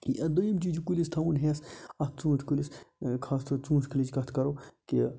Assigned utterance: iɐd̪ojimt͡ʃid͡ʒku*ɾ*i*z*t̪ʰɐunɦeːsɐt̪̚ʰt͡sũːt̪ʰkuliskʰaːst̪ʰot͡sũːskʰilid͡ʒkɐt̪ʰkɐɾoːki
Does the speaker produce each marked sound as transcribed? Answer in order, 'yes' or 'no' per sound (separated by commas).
no, no